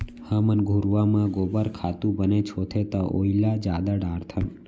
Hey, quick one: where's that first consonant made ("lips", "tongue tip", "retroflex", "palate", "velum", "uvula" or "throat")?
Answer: throat